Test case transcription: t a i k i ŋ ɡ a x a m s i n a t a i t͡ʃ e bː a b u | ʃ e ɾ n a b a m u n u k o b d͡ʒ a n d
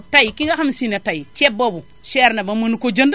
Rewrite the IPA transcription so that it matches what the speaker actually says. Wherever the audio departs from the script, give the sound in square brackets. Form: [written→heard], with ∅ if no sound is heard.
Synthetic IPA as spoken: t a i k i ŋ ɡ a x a m s i n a t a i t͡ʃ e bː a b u | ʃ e ɾ n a b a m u n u k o [b→∅] d͡ʒ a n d